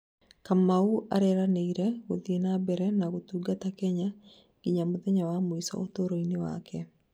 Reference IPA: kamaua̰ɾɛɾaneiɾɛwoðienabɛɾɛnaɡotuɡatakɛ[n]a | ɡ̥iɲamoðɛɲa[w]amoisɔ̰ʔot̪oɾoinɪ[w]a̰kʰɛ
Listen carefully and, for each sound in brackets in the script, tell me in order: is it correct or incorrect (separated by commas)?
incorrect, correct, correct